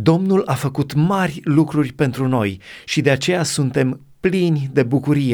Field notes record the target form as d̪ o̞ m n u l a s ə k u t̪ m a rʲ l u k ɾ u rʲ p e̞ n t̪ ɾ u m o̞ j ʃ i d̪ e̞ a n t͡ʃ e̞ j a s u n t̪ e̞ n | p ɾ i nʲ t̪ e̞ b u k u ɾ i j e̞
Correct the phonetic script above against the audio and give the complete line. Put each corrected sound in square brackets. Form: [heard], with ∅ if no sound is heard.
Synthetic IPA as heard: d̪ o̞ m n u l a [f] ə k u t̪ m a rʲ l u k ɾ u rʲ p e̞ n t̪ ɾ u [n] o̞ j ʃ i d̪ e̞ a [∅] t͡ʃ e̞ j a s u n t̪ e̞ [m] | p [l] i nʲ [d̪] e̞ b u k u ɾ i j e̞